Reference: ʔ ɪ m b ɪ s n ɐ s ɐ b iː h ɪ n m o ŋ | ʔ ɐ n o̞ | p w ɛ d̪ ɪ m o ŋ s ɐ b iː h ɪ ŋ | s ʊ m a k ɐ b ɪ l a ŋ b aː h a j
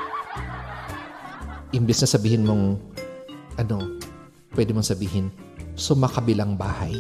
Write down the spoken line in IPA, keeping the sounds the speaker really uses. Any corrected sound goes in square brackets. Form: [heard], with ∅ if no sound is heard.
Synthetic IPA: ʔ ɪ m b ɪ s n ɐ s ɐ b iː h ɪ n m o ŋ | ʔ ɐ n o̞ | p w ɛ d̪ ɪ m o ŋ s ɐ b iː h ɪ [n] | s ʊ m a k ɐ b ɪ l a ŋ b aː h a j